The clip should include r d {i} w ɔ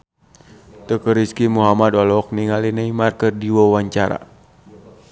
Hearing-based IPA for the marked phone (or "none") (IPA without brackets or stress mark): i